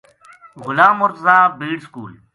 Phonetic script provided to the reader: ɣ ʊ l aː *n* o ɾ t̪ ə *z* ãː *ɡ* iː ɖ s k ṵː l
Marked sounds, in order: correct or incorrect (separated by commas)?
incorrect, correct, incorrect